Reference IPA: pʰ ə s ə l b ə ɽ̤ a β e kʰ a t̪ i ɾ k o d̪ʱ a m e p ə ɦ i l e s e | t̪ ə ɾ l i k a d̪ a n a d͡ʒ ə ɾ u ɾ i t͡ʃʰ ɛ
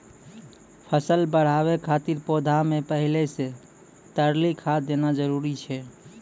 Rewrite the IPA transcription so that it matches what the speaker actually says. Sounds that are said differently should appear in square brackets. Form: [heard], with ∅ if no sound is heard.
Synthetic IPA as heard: pʰ ə s ə l b ə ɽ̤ a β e kʰ a t̪ i ɾ [p] o d̪ʱ a m e p ə ɦ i l e s e | t̪ ə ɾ l i [kʰ] a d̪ [e] n a d͡ʒ ə ɾ u ɾ i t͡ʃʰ ɛ